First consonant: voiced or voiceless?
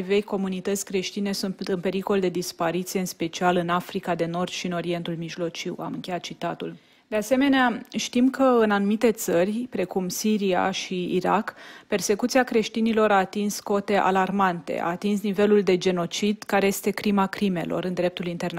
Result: voiced